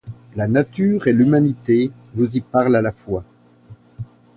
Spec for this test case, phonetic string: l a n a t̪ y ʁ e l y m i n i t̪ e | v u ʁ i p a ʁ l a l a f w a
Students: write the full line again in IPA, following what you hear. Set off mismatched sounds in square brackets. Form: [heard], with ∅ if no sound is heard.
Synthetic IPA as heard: l a n a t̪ y ʁ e l y m [a] n i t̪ e | v u [z] i p a ʁ l a l a f w a